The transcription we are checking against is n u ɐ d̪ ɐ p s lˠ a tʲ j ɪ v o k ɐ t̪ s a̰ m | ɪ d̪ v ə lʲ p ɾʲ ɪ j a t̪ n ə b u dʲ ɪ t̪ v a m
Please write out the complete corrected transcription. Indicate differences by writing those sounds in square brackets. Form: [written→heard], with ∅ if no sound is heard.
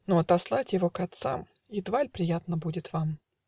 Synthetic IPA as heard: n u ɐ [d̪→t̪] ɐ [p→∅] s lˠ a tʲ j ɪ v o k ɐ t̪ s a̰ m | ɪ d̪ v [ə→a] lʲ p ɾʲ ɪ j a t̪ n ə b u dʲ ɪ t̪ v a m